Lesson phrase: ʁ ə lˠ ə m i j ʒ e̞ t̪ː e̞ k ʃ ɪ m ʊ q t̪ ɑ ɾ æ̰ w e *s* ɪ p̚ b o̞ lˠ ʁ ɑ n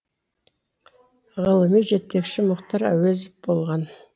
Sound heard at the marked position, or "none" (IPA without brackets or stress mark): z